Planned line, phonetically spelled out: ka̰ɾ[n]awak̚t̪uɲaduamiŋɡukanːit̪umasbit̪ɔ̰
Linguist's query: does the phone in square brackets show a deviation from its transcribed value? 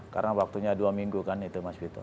no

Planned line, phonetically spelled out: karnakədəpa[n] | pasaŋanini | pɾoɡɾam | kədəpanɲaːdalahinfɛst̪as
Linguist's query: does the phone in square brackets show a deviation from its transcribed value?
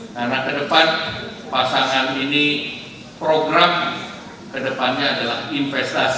no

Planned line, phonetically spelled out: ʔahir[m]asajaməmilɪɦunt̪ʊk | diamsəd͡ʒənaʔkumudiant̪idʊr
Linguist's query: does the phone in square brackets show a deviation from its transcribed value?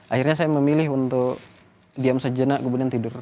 yes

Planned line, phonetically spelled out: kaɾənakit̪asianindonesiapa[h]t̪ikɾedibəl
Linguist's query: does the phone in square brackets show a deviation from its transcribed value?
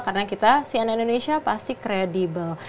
yes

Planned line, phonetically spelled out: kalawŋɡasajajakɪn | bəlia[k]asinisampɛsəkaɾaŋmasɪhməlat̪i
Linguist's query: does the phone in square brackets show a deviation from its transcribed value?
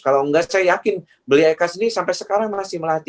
no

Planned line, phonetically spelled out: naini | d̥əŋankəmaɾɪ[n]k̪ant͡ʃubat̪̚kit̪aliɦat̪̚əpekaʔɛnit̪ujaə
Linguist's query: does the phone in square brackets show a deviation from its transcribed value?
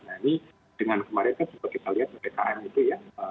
no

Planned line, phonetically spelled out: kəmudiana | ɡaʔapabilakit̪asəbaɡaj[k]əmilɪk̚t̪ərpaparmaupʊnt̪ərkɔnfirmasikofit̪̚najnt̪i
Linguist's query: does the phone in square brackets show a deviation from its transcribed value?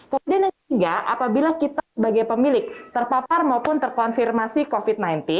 yes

